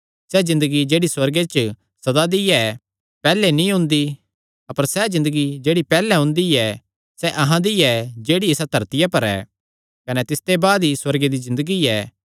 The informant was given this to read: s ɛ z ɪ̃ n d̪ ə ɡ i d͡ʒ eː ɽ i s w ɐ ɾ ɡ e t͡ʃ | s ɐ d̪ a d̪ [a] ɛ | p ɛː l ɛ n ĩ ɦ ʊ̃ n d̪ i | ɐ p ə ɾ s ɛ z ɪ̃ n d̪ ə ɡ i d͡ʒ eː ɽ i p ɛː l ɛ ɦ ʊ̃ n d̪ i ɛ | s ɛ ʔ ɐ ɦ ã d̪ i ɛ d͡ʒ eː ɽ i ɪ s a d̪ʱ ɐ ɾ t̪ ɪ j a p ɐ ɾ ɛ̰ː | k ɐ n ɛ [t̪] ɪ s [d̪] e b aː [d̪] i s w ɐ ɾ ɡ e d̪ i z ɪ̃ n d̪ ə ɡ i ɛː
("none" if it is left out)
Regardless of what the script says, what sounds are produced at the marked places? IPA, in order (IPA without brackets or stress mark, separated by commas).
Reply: i, t̪, t̪, d̪